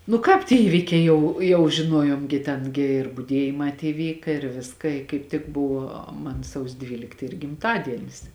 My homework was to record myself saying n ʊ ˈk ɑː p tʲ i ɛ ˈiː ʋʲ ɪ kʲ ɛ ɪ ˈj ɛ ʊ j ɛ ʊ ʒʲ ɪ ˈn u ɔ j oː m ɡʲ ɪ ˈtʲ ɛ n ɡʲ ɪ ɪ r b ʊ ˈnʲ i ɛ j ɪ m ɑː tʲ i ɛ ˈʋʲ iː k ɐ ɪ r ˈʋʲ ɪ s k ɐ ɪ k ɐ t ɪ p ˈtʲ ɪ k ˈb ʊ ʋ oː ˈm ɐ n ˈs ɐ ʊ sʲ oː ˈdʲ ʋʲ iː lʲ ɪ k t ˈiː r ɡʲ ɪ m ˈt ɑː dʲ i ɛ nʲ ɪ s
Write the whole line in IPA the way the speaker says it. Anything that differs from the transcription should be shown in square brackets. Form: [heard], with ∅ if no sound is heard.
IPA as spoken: n ʊ ˈk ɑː p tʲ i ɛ ˈiː ʋʲ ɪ kʲ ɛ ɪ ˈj ɛ ʊ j ɛ ʊ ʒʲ ɪ ˈn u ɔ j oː m ɡʲ ɪ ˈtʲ ɛ n ɡʲ ɪ ɪ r b ʊ [ˈdʲ] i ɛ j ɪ m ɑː tʲ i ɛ ˈʋʲ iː k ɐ ɪ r ˈʋʲ ɪ s k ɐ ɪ k ɐ [∅] ɪ p ˈtʲ ɪ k ˈb ʊ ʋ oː ˈm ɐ n ˈs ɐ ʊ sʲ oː ˈdʲ ʋʲ iː lʲ ɪ k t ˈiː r ɡʲ ɪ m ˈt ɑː dʲ i ɛ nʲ ɪ s